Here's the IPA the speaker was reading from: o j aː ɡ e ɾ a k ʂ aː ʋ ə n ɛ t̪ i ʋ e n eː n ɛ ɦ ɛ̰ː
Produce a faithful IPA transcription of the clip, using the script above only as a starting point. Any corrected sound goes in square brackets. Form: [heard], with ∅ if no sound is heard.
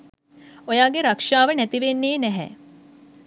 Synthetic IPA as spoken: o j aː ɡ e ɾ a k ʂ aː ʋ ə n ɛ t̪ i ʋ e [nː] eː n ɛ ɦ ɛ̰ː